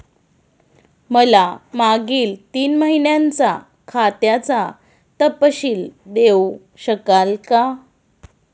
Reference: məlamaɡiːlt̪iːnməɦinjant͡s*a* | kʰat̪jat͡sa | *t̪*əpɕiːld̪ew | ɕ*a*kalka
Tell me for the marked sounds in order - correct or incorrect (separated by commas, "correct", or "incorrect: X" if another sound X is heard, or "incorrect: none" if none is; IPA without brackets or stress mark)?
correct, correct, incorrect: ə